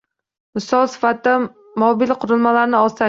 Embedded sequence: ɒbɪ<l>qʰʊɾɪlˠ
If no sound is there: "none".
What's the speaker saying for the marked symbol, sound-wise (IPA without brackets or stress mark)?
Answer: l